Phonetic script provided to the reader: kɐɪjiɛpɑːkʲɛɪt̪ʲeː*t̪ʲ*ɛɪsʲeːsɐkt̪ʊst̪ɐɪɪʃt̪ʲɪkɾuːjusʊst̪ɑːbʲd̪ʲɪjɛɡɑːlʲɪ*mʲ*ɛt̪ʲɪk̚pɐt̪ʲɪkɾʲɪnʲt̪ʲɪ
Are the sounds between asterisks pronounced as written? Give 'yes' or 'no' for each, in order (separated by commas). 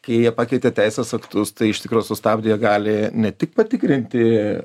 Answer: yes, no